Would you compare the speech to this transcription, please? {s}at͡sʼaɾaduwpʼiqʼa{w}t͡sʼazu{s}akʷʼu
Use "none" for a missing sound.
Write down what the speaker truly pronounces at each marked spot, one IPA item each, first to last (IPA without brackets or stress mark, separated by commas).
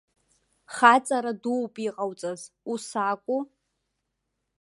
χ, w, s